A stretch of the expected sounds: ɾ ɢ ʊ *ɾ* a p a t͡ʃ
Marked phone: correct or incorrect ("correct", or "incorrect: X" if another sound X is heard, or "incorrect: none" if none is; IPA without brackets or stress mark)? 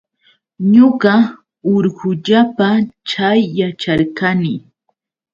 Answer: incorrect: ʎ